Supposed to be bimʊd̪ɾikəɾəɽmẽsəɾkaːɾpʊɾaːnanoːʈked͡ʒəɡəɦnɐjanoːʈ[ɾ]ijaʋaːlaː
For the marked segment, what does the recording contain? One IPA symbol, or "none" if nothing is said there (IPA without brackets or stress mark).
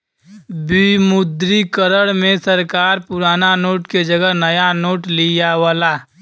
l